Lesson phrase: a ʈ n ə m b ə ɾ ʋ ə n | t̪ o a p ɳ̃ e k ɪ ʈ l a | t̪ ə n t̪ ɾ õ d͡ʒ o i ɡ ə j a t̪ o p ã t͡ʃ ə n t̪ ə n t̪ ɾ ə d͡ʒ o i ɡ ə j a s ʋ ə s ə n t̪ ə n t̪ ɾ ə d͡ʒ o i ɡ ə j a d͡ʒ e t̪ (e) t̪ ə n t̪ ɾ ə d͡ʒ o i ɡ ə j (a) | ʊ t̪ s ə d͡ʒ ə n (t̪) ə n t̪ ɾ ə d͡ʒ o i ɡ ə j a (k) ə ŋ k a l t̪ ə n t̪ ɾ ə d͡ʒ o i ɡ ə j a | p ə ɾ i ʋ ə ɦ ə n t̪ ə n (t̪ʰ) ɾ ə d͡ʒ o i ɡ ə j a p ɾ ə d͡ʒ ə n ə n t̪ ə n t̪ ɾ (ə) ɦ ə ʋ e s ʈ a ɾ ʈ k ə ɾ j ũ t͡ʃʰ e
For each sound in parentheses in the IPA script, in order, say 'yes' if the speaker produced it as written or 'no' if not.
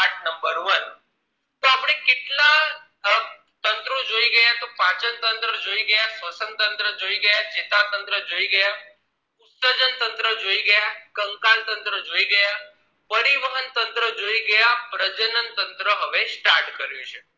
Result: no, yes, yes, yes, no, yes

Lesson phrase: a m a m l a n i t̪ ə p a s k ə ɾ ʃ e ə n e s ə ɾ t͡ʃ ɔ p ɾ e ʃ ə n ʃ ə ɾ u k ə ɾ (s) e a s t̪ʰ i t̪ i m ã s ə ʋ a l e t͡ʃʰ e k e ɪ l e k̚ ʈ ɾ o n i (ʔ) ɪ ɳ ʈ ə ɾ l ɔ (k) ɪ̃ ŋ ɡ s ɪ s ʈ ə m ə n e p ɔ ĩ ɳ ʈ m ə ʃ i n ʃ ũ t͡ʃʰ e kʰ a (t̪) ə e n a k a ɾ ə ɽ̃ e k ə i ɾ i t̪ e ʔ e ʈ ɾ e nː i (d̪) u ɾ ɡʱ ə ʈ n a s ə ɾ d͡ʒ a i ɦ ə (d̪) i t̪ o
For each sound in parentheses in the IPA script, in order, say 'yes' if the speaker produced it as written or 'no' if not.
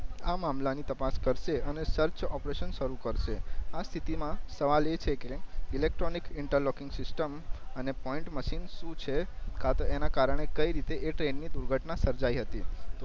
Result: no, no, yes, yes, yes, no

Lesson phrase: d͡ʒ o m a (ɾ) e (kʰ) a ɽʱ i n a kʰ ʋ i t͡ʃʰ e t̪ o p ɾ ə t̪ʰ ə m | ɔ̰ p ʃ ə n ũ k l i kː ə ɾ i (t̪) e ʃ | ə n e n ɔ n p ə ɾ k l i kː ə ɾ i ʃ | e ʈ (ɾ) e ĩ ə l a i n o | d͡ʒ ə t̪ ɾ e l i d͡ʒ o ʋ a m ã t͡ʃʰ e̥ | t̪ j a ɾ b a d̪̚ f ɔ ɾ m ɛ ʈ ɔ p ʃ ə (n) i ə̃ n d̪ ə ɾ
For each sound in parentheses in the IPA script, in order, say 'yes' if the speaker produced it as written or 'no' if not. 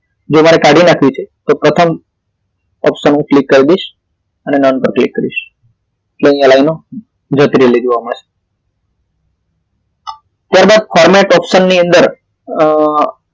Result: yes, no, no, no, no

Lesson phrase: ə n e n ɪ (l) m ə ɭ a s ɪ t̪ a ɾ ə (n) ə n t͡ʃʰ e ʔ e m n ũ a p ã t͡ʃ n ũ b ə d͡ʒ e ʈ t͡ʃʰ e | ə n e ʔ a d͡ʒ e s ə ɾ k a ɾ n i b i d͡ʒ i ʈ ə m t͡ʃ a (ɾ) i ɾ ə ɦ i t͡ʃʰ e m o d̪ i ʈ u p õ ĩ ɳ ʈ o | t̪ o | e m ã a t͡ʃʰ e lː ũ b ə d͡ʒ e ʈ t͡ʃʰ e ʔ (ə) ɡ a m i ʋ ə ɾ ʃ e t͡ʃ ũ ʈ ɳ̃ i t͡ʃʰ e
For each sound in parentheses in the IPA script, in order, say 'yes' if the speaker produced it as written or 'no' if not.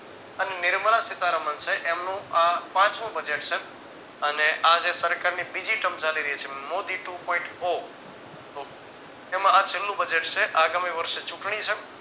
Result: no, no, no, no

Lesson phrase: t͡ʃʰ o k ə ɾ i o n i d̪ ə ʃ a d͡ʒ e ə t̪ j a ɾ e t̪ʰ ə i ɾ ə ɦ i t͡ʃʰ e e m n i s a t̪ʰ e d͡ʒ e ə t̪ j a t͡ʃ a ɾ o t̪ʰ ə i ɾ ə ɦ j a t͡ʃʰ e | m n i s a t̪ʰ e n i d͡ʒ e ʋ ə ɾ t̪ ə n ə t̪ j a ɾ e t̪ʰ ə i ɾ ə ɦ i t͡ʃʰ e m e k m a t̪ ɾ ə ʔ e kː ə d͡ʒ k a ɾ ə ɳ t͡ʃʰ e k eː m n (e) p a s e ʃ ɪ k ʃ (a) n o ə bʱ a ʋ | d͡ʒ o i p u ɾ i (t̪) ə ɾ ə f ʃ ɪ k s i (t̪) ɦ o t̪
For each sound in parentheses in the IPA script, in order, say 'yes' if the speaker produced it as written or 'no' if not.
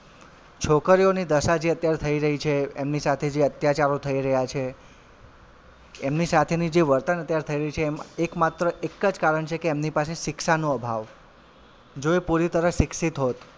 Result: no, yes, yes, yes

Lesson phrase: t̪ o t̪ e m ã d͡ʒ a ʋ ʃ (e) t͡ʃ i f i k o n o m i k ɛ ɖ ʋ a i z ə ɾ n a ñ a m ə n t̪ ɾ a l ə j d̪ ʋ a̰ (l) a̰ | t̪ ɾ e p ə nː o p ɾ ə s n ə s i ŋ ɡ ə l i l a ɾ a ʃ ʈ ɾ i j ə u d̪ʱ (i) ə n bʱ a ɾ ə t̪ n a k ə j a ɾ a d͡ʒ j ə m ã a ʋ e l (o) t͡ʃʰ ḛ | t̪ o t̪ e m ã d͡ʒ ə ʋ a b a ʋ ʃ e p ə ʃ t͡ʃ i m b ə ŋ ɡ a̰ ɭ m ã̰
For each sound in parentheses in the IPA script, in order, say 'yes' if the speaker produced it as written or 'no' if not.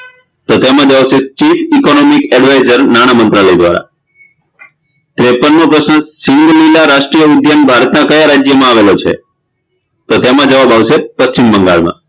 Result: yes, no, no, yes

